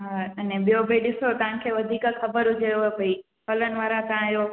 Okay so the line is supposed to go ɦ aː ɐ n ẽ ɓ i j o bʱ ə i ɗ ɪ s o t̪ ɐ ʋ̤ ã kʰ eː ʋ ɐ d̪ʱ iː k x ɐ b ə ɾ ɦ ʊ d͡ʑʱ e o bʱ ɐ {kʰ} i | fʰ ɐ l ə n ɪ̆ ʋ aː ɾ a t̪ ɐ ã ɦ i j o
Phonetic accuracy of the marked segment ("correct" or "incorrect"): incorrect